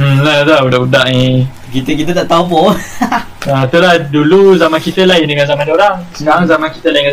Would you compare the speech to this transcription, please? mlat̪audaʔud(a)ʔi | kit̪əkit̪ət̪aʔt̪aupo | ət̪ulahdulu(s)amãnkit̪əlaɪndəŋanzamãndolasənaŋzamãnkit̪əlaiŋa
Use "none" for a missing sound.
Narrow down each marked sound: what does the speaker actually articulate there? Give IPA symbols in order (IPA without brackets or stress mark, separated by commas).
a, z